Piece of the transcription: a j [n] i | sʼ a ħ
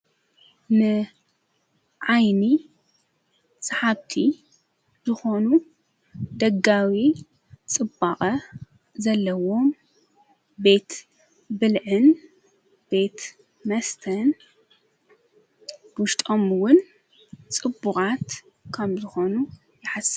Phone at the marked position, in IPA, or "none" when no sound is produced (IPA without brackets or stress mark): n